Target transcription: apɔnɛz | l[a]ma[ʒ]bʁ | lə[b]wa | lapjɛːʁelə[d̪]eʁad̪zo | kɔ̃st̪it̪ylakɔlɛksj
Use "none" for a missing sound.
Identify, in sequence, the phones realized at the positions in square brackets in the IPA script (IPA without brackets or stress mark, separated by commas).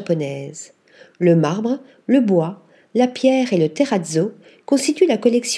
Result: ə, ʁ, b, t̪